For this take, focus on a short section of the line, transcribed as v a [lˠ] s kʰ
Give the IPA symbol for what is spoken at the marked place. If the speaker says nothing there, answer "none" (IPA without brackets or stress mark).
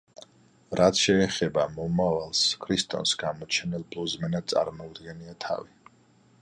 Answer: lˠ